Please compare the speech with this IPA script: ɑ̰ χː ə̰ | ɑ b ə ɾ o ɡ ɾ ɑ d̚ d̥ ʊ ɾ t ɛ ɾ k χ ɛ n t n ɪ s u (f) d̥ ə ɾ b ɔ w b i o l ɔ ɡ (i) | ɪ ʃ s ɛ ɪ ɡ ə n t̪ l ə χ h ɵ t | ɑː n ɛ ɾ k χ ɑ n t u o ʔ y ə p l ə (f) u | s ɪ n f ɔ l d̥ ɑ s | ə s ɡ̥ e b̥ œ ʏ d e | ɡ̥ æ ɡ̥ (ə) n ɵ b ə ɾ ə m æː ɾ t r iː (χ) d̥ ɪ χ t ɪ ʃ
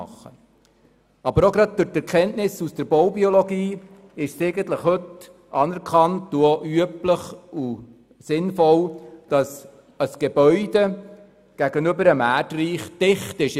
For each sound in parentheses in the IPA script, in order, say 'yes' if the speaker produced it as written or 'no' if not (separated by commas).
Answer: no, no, no, yes, yes